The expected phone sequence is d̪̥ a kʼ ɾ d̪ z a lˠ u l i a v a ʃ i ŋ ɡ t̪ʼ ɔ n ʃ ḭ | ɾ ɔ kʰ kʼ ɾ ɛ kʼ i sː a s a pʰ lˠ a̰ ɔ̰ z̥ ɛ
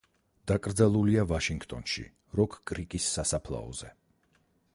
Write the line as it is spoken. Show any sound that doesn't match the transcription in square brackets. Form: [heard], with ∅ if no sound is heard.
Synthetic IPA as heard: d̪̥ a kʼ ɾ d̪ z a lˠ u l i a v a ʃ i ŋ ɡ t̪ʼ ɔ n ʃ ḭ | ɾ ɔ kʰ kʼ ɾ [i] kʼ i sː a s a pʰ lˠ a̰ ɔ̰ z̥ ɛ

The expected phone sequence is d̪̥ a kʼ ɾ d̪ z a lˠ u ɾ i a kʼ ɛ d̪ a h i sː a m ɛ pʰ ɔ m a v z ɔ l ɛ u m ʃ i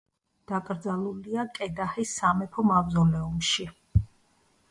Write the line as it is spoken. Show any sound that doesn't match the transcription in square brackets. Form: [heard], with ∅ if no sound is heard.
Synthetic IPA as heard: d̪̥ a kʼ ɾ d̪ z a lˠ u [l] i a kʼ ɛ d̪ a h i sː a m ɛ pʰ ɔ m a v z ɔ l ɛ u m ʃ i

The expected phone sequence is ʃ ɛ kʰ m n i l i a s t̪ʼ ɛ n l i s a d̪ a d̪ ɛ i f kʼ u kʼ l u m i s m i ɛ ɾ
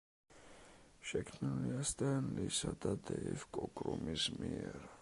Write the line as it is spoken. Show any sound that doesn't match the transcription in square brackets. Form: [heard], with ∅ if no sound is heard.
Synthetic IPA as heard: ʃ ɛ kʰ m n i l i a s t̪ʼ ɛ n l i s a d̪ a d̪ ɛ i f kʼ [ɔ] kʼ [ɾ] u m i s m i ɛ ɾ

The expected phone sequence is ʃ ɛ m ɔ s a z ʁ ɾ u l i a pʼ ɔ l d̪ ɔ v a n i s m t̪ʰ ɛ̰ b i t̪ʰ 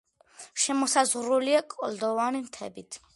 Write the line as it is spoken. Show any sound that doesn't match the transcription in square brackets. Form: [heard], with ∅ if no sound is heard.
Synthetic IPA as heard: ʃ ɛ m ɔ s a z ʁ ɾ u l i a [kʼ] ɔ l d̪ ɔ v a n i [∅] m t̪ʰ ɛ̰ b i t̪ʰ

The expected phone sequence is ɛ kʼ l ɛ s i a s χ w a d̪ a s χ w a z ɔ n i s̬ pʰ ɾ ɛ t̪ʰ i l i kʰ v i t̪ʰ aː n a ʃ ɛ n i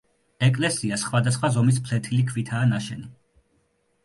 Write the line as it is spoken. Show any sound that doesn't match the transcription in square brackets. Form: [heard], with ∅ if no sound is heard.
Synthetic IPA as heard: ɛ kʼ l ɛ s i a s χ w a d̪ a s χ w a z ɔ [m] i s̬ pʰ [l] ɛ t̪ʰ i l i kʰ v i t̪ʰ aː n a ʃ ɛ n i

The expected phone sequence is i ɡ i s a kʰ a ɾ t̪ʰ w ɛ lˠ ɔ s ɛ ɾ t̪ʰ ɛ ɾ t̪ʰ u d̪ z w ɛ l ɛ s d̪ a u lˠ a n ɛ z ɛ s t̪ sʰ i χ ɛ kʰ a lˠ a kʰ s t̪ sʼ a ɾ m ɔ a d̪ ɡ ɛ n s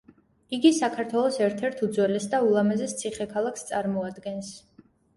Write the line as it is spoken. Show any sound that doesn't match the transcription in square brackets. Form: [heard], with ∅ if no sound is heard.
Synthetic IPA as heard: i ɡ i s a kʰ a ɾ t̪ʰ w ɛ lˠ ɔ s ɛ ɾ t̪ʰ ɛ ɾ t̪ʰ u d̪ z w ɛ l ɛ s d̪ a u lˠ a [m] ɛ z ɛ s t̪ sʰ i χ ɛ kʰ a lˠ a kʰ s t̪ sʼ a ɾ m ɔ a d̪ ɡ ɛ n s

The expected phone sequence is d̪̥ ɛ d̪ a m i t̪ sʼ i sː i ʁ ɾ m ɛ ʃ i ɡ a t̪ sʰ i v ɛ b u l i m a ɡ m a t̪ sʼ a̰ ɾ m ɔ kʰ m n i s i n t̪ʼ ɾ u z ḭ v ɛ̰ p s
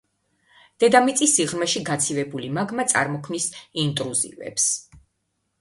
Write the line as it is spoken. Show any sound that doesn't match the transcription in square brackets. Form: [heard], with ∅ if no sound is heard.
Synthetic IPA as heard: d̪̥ ɛ d̪ a m i t̪ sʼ i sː i ʁ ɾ m ɛ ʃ i ɡ a t̪ sʰ i v ɛ b u l i m a ɡ m a t̪ sʼ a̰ ɾ m ɔ kʰ m n i s i n t̪ʼ ɾ u z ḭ v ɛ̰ p s

